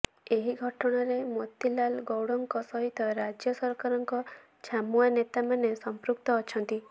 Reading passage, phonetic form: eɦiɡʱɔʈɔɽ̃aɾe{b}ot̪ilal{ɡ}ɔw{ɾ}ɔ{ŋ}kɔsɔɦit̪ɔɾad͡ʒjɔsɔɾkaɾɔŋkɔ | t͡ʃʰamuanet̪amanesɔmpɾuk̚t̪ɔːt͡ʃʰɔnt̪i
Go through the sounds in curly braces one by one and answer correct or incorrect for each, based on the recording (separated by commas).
incorrect, correct, incorrect, correct